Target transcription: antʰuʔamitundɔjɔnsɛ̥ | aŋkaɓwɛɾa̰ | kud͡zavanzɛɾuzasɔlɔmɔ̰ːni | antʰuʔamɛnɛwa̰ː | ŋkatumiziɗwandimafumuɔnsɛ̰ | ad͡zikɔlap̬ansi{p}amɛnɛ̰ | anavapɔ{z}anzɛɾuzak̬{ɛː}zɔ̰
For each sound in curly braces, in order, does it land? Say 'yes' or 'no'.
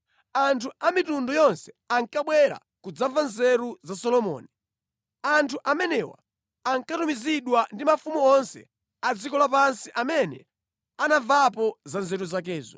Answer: no, yes, yes

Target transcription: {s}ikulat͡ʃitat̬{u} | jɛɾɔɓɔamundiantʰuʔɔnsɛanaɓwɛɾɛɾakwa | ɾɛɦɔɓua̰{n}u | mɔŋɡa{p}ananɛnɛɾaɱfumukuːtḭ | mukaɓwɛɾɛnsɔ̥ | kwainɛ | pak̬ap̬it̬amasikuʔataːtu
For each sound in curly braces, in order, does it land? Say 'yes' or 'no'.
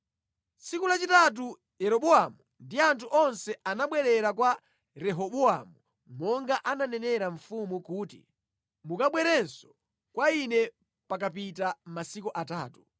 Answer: yes, yes, no, no

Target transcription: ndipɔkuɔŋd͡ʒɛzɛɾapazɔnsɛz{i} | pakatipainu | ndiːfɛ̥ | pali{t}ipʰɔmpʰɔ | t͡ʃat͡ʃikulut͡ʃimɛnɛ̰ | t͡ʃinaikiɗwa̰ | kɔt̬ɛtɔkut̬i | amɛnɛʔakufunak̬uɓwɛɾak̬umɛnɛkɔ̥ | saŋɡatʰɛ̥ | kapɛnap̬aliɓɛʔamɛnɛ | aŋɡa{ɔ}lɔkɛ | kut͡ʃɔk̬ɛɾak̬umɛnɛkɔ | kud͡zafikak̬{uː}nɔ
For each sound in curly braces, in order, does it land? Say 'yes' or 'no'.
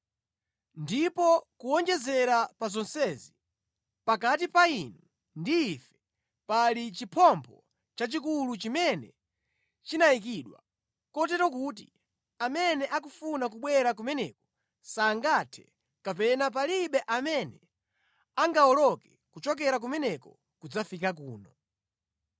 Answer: yes, no, yes, yes

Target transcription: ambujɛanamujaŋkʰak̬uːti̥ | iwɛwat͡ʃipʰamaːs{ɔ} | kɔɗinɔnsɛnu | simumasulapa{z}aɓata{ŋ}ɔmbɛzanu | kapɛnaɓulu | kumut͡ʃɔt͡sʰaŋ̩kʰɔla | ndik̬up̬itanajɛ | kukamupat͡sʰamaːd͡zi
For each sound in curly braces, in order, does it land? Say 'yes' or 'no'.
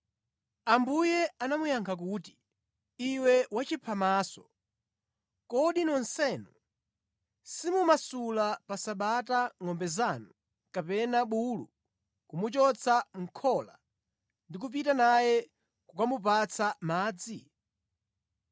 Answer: yes, no, yes

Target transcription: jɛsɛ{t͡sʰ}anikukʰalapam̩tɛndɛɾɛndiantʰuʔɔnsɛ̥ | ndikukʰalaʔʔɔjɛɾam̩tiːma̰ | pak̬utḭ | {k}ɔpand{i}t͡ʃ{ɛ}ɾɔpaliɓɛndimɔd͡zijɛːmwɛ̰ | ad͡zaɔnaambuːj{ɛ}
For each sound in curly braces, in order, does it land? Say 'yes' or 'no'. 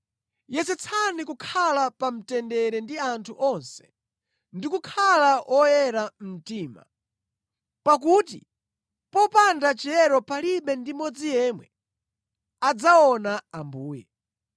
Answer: yes, no, no, yes, yes

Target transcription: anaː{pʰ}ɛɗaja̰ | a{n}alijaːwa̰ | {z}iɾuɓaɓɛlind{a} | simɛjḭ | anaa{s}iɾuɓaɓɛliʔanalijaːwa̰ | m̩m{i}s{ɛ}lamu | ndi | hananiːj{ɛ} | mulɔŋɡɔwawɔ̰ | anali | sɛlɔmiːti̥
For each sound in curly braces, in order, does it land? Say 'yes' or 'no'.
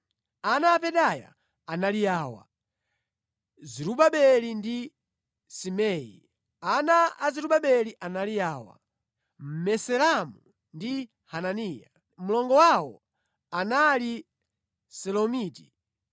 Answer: no, yes, yes, no, no, no, yes, no

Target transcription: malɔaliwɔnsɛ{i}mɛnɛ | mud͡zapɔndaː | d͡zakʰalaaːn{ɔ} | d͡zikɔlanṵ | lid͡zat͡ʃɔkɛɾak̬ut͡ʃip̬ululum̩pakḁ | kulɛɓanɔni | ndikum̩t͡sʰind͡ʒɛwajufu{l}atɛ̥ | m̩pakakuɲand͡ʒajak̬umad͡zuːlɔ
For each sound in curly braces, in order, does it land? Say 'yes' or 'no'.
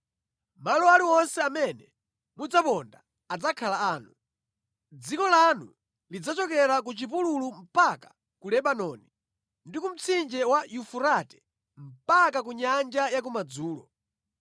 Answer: no, no, no

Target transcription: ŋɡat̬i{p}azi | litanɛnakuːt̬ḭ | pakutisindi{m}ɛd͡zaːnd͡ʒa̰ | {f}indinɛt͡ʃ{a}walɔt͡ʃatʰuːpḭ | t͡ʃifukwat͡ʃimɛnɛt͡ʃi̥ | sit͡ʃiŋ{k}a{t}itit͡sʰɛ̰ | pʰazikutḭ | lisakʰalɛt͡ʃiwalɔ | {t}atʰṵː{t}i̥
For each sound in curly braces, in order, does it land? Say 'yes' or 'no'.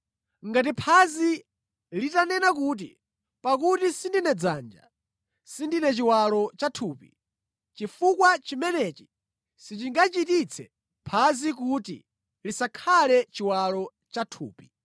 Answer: no, no, no, no, no, no, no, no

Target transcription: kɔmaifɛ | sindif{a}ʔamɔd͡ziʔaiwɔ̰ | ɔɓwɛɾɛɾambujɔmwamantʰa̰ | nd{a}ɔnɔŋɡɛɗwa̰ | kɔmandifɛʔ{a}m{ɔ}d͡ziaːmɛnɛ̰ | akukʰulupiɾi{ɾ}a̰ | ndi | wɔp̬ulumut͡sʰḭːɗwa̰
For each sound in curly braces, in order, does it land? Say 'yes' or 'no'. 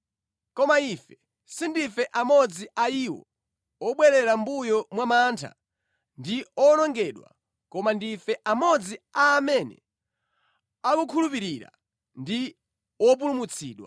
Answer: no, no, yes, yes, yes

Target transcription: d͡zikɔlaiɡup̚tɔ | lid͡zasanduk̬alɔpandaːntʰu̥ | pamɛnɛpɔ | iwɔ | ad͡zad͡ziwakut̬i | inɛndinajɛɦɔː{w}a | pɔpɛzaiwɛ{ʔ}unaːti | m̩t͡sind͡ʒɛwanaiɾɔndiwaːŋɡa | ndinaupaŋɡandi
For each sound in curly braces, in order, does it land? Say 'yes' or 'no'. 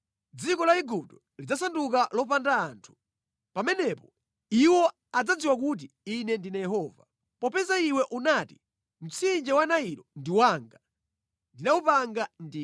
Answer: no, yes

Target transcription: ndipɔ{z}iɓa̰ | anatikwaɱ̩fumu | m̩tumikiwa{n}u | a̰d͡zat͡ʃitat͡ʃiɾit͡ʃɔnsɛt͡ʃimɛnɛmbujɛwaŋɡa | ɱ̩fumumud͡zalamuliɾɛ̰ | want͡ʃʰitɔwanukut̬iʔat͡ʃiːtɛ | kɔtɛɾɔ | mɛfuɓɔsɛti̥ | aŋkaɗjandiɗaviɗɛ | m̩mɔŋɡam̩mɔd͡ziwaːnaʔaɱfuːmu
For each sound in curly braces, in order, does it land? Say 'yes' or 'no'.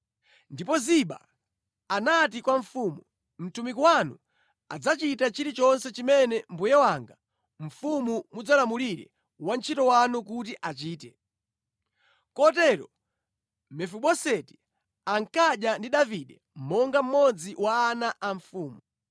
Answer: yes, yes

